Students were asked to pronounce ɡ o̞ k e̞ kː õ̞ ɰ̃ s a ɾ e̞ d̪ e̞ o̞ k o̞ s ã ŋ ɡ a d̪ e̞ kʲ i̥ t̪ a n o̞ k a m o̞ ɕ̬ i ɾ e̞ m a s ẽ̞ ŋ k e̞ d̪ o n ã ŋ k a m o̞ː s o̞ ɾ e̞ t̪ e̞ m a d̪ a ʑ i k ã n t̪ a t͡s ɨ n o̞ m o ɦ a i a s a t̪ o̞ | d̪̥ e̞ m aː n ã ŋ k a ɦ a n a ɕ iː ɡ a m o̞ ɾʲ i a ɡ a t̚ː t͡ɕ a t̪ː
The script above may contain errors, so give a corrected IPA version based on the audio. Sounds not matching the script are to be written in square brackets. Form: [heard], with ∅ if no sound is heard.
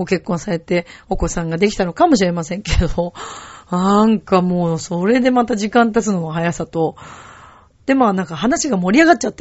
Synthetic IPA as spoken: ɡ o̞ k e̞ kː õ̞ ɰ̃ s a ɾ e̞ [t̪] e̞ o̞ k o̞ s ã ŋ ɡ a d̪ e̞ kʲ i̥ t̪ a n o̞ k a m o̞ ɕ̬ i ɾ e̞ m a s ẽ̞ ŋ k e̞ d̪ o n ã ŋ k a m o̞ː s o̞ ɾ e̞ [d̪] e̞ m a [t̪] a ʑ i k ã n t̪ a t͡s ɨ n o̞ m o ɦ a [j] a s a t̪ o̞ | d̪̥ e̞ m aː n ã ŋ k a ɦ a n a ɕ [i] ɡ a m o̞ ɾʲ i a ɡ a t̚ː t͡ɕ a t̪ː